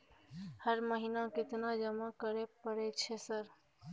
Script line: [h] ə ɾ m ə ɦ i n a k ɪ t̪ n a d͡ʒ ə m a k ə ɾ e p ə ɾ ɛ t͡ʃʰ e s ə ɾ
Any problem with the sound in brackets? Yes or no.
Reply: no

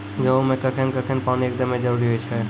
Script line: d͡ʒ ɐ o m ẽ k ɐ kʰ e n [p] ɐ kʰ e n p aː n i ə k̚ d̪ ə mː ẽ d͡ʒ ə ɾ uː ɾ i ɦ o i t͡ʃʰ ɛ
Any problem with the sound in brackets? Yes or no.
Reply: yes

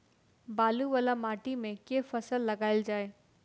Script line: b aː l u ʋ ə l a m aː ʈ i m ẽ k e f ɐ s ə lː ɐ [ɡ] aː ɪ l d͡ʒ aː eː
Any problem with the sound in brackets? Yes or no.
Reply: no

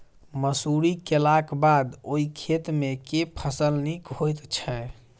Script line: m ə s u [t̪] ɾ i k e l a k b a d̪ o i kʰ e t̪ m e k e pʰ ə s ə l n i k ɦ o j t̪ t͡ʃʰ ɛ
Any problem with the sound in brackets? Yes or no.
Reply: yes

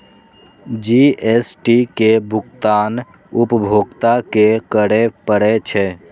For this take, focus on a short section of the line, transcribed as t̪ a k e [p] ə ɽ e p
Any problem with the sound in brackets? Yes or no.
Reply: yes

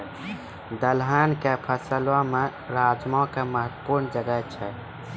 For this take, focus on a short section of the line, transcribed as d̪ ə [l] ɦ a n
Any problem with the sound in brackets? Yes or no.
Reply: no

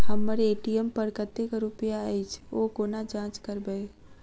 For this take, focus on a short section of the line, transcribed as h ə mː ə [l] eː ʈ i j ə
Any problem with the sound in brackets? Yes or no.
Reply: yes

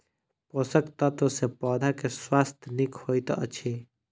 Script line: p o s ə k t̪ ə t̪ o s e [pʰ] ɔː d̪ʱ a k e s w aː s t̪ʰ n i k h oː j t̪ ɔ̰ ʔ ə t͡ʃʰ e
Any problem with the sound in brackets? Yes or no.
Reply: yes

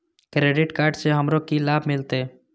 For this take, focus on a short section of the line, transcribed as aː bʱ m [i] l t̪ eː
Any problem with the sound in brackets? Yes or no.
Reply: yes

